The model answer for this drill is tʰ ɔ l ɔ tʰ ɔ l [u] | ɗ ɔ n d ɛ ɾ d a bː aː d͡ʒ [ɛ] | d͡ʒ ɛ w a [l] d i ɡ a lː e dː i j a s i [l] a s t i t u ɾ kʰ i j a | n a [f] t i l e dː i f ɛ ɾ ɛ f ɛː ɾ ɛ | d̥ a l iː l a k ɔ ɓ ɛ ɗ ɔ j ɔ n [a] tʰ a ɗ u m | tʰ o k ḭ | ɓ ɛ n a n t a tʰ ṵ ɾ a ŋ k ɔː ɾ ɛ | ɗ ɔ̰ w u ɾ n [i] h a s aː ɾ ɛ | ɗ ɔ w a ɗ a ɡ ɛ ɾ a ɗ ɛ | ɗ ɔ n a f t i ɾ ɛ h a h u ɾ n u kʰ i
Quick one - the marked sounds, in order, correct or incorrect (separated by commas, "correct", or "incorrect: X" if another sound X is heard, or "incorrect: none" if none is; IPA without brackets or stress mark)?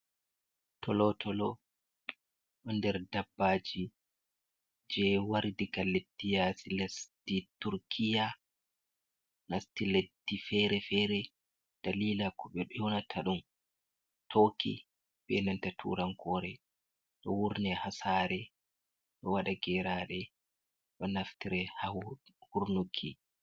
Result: incorrect: ɔ, incorrect: i, incorrect: ɾ, correct, incorrect: s, correct, incorrect: ɛ